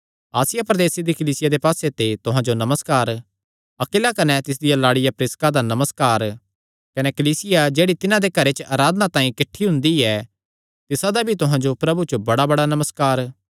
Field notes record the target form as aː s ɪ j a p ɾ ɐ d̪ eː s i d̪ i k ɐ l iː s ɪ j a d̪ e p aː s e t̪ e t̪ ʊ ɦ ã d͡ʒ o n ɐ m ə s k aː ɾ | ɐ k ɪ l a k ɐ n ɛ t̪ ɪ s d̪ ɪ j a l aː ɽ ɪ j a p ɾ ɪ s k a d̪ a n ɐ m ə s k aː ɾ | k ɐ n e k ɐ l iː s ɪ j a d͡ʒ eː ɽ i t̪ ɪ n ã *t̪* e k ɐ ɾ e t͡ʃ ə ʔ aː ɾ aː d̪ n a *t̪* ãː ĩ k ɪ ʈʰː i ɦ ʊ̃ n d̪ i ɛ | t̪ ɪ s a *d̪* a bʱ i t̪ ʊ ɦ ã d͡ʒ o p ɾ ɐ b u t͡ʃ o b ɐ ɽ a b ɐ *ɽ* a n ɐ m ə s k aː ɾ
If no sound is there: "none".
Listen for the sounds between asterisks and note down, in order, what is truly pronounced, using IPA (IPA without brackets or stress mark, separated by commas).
d̪, t̪, d̪, ɽ